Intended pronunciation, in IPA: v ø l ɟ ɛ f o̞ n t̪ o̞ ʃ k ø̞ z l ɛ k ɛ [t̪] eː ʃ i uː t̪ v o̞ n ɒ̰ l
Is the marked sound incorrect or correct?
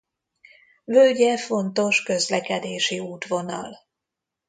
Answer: incorrect